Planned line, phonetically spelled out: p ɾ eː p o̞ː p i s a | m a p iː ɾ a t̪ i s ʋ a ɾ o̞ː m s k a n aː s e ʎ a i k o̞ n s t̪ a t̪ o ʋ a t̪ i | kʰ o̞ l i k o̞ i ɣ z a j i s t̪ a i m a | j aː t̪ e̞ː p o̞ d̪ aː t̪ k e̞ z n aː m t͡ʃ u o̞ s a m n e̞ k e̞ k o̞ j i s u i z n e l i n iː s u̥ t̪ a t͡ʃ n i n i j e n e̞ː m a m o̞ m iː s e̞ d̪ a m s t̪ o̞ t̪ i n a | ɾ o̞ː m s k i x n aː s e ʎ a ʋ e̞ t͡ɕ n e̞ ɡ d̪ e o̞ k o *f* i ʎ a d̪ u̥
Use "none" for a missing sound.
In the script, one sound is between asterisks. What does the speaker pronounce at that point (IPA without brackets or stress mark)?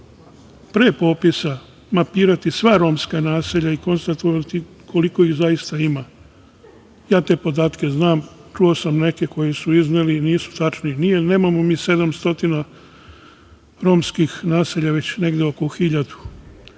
x